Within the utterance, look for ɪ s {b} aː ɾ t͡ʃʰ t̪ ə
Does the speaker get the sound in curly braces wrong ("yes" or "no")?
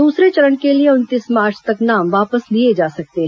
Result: yes